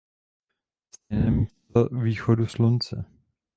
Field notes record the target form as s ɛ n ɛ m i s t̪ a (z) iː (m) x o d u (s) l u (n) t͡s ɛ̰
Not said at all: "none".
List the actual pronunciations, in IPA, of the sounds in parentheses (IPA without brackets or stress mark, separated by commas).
v, none, s, n